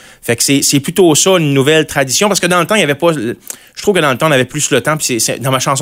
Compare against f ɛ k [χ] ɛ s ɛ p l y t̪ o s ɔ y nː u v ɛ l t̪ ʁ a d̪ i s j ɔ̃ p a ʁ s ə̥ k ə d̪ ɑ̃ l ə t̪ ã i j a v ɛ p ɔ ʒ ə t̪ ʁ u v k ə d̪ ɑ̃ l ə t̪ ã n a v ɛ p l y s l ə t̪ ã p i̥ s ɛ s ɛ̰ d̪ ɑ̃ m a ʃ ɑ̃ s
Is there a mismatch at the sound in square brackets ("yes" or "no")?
yes